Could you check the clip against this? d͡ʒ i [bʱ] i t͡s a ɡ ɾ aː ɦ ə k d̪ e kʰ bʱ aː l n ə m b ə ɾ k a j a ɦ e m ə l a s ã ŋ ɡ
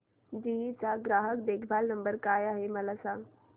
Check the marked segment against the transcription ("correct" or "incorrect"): incorrect